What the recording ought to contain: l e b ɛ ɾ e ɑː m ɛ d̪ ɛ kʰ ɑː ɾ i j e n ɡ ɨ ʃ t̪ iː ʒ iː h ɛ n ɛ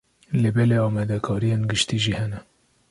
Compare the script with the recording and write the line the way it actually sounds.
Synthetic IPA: l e b ɛ l e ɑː m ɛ d̪ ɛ kʰ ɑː ɾ i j e n ɡ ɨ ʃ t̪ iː ʒ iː h ɛ n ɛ